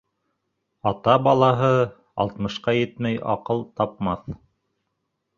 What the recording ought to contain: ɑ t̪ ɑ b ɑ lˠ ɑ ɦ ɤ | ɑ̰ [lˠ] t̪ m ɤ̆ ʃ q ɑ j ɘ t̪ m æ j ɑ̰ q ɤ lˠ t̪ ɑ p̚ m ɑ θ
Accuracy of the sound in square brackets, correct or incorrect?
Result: correct